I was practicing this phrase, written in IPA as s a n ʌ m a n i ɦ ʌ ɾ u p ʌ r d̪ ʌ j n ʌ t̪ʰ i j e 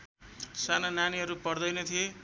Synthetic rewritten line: s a n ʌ n a n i ɦ ʌ ɾ u p ʌ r d̪ ʌ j n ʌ t̪ʰ i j e